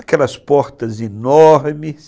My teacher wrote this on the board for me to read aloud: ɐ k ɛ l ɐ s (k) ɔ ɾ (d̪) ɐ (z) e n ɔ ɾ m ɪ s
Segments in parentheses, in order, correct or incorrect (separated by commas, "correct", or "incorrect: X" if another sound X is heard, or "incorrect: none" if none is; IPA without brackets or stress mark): incorrect: p, incorrect: t̪, correct